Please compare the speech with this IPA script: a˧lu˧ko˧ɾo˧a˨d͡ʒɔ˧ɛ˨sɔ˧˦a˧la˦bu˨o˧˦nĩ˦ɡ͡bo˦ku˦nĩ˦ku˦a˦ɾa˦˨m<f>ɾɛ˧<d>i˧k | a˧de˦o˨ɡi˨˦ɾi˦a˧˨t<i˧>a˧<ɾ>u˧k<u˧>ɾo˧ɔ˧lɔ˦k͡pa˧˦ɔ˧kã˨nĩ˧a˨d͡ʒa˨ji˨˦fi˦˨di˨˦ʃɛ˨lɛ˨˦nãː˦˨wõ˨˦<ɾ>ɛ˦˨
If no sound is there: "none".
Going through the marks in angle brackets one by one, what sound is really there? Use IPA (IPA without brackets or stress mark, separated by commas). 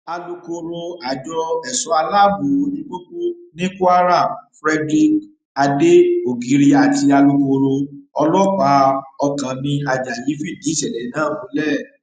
f, d, i˧, l, o˧, l